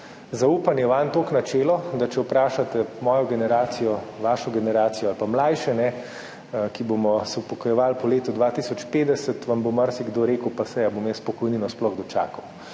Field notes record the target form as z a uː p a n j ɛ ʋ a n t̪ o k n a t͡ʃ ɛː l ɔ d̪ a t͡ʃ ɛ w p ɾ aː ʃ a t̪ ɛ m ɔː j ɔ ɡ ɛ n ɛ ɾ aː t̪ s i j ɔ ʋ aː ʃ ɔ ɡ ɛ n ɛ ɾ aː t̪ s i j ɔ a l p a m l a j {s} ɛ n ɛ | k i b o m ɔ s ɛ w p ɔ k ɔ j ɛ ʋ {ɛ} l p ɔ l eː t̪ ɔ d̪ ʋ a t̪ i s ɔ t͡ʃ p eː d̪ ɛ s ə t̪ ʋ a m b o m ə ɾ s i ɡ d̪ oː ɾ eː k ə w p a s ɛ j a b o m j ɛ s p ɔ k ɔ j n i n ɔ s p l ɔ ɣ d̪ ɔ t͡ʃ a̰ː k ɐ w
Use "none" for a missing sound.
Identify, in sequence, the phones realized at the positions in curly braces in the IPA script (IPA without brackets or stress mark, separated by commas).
ʃ, a